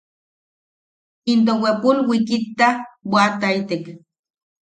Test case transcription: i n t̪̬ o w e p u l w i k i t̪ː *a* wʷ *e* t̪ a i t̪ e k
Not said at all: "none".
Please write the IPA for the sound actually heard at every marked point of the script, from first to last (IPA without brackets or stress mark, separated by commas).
a, a